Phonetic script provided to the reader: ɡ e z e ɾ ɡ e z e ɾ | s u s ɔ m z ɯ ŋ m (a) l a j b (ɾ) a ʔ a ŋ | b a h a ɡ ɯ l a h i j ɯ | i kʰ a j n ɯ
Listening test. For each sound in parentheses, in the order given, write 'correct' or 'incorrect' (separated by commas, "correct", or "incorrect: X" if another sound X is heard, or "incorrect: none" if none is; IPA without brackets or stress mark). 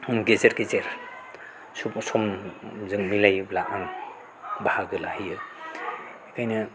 incorrect: i, incorrect: l